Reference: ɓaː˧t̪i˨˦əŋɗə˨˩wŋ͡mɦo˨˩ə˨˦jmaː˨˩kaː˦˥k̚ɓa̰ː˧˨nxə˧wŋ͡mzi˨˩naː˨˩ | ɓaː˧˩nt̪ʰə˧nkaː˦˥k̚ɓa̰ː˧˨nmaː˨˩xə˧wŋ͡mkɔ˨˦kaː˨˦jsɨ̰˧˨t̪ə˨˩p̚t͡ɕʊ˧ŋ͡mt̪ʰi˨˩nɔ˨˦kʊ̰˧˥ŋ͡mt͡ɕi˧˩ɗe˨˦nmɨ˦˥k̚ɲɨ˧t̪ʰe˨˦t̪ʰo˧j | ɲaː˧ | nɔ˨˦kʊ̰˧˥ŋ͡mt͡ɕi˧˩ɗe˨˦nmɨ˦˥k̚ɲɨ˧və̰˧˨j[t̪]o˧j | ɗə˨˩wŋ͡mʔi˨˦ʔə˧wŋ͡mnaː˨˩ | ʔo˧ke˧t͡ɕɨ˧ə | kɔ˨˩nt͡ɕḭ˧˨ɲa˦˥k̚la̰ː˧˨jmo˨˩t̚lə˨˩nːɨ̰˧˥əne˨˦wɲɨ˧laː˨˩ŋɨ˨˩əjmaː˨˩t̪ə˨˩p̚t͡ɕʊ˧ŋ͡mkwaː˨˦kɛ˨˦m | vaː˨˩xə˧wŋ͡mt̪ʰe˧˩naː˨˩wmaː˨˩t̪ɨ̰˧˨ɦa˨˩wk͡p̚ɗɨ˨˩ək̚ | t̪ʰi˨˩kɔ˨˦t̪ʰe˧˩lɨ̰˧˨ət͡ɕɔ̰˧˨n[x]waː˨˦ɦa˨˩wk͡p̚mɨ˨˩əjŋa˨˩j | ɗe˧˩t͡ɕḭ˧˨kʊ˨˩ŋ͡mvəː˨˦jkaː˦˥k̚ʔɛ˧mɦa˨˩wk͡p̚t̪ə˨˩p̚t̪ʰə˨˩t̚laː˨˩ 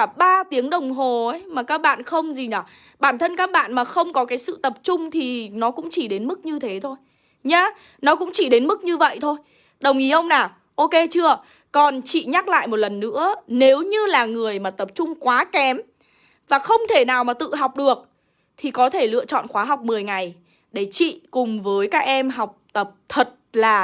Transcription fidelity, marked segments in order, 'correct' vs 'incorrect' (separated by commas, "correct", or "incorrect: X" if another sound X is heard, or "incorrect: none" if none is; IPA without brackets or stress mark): incorrect: t̪ʰ, correct